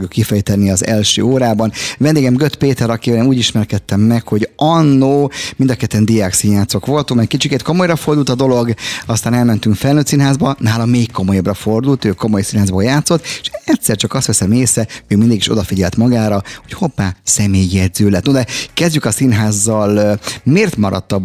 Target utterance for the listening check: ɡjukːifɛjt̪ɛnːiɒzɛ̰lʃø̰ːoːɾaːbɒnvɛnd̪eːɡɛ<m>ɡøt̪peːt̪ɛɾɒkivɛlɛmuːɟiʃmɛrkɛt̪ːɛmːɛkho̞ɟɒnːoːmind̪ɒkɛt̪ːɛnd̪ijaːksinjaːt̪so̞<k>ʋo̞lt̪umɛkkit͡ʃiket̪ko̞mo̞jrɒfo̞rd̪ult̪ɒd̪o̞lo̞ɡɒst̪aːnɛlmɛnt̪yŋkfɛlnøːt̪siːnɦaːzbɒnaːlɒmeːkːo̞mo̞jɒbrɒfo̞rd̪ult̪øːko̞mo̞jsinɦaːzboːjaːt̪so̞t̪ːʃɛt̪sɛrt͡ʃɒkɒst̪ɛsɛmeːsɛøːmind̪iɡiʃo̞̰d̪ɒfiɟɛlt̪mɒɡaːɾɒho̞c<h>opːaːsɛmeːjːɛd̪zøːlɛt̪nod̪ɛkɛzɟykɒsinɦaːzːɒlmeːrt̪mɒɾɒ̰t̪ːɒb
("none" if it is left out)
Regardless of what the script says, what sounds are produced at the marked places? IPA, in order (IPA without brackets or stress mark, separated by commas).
m, k, h